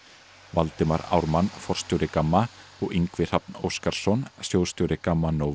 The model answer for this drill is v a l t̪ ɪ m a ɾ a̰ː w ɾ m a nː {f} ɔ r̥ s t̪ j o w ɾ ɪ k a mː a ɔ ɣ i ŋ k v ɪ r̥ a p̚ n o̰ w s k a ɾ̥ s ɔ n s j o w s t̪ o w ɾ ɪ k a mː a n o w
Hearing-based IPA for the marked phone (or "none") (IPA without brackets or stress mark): f